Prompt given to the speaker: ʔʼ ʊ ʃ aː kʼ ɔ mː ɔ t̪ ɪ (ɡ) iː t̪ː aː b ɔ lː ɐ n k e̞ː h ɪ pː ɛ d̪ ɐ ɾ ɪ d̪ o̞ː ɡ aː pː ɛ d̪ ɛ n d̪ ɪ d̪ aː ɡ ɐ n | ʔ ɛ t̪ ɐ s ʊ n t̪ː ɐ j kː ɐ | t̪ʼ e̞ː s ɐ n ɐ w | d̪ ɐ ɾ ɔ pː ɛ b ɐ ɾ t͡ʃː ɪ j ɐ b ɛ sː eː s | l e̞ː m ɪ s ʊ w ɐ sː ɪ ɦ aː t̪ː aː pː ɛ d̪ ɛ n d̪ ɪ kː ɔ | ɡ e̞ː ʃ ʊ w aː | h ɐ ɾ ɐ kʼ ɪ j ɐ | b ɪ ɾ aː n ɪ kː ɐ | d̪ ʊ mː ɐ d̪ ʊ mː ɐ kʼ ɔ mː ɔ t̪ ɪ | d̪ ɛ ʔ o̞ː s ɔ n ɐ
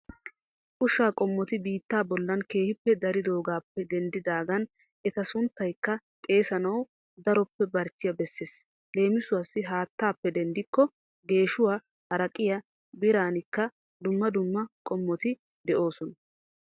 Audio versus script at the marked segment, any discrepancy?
yes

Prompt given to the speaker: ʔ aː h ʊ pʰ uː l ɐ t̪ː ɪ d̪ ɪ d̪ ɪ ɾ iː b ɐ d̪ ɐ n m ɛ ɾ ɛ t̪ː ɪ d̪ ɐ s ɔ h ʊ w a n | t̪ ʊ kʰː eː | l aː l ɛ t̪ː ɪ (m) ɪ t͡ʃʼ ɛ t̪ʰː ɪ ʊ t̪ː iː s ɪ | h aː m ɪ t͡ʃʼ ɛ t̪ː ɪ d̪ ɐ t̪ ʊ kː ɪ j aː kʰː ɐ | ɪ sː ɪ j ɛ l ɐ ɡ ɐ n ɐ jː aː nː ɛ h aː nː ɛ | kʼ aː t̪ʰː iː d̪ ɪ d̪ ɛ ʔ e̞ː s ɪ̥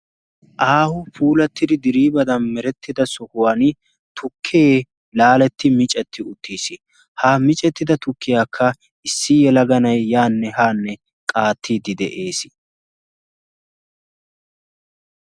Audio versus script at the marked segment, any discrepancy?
no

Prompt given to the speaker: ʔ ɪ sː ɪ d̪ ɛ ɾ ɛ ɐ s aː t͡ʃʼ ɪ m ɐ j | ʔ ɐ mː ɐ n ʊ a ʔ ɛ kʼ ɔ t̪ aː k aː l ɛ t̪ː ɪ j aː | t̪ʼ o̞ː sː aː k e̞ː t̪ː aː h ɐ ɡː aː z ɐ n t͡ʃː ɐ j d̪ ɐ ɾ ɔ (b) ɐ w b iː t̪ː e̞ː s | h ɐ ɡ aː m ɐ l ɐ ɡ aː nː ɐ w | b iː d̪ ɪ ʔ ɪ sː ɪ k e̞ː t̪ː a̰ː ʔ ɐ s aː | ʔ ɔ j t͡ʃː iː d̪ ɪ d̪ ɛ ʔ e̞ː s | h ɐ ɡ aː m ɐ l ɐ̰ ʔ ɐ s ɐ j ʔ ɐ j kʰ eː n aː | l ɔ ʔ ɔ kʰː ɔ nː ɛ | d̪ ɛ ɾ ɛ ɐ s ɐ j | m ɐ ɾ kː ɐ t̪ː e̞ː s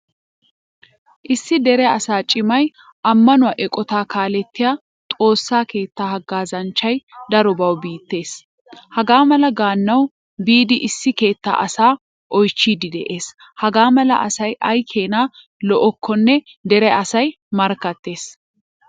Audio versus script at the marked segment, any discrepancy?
no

